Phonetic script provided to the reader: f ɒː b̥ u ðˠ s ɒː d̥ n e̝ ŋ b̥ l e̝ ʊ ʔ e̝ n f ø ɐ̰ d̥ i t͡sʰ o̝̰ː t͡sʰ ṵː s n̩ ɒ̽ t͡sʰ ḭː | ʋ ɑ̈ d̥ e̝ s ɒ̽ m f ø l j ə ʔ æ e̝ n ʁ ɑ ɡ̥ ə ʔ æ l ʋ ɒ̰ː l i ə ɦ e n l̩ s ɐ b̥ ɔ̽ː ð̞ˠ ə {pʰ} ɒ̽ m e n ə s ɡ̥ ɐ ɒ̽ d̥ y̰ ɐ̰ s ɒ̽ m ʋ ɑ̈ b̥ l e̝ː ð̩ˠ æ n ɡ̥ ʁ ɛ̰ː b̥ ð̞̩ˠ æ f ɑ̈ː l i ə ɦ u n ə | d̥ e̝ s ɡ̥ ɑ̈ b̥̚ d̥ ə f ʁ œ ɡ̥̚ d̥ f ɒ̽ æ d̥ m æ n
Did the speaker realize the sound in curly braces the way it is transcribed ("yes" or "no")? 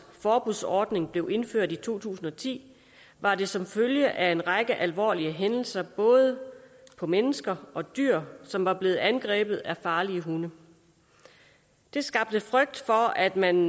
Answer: yes